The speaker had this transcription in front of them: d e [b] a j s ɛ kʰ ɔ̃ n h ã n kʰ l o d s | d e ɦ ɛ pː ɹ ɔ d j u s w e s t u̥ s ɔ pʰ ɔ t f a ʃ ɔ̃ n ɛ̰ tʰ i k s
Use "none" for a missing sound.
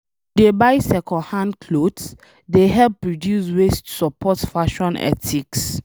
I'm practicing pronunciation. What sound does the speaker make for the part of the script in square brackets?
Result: b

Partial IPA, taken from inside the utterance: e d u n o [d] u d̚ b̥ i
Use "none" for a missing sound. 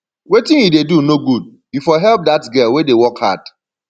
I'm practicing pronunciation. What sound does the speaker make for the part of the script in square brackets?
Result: ɡ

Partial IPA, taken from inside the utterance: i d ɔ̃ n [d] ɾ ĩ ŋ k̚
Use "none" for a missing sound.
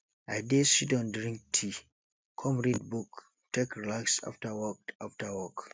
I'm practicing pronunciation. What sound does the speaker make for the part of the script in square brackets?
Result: d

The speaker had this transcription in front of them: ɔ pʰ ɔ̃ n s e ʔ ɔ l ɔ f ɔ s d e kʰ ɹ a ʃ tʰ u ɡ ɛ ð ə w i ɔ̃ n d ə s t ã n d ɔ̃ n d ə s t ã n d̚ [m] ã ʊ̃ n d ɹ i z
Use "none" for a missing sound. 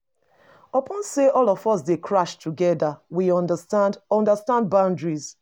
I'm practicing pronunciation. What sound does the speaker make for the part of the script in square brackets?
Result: b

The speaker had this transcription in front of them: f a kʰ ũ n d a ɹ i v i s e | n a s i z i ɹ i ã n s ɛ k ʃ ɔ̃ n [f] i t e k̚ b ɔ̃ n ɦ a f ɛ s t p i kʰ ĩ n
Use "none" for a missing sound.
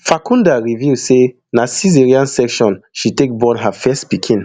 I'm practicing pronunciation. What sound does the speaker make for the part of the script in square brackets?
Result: ʃ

